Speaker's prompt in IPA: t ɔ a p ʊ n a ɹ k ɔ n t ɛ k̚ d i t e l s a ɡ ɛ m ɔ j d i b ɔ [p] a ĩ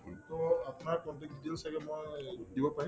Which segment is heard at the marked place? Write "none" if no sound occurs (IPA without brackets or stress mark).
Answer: p